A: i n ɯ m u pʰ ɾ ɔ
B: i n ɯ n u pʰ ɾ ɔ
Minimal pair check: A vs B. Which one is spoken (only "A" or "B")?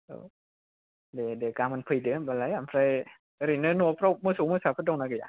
B